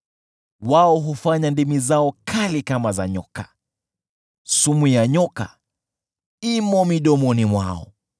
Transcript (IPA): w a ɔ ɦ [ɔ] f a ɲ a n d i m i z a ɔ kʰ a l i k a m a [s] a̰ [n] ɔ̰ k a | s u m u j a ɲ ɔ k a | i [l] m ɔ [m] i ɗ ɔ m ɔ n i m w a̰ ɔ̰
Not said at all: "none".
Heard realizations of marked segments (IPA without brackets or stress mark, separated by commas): u, z, ɲ, none, m